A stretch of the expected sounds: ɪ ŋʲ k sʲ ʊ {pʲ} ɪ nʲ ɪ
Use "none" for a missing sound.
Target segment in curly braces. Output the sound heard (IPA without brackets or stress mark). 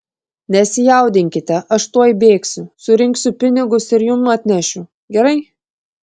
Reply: pʲ